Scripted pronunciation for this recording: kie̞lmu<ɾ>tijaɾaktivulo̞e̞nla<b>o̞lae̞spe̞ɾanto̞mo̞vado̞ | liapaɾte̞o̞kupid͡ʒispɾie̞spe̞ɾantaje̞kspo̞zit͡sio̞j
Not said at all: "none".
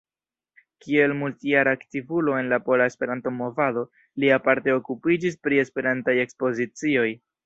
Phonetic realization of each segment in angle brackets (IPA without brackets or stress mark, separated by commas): l, p